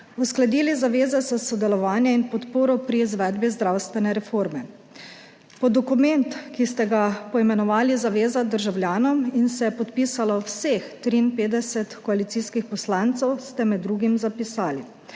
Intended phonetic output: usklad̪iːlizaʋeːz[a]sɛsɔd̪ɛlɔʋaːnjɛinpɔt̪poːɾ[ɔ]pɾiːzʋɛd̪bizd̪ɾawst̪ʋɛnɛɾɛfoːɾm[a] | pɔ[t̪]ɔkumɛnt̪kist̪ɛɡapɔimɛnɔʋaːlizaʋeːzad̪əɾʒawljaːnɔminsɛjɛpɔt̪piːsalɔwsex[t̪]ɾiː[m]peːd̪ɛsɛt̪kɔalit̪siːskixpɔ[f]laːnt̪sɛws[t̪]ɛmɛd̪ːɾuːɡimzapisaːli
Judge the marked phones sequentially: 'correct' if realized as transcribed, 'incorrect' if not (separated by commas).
incorrect, correct, incorrect, incorrect, correct, incorrect, incorrect, correct